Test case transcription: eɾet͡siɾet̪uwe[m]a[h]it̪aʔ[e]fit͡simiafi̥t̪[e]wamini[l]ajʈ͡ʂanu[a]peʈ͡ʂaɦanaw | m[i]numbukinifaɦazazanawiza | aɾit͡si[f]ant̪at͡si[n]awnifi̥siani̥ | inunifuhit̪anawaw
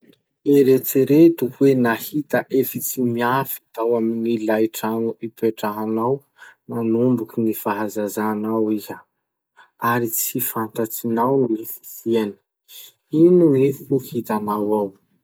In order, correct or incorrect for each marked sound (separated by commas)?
incorrect, correct, correct, incorrect, correct, incorrect, incorrect, correct, correct